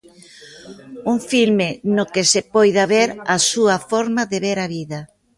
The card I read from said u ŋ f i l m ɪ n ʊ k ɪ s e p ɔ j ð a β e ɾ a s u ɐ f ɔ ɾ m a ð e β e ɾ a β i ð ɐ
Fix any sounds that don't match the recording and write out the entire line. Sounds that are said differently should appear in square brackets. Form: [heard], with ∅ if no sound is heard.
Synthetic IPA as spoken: u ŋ f i l m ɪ n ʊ k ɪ s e p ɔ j ð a β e ɾ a s u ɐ f ɔ ɾ m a ð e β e ɾ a β i ð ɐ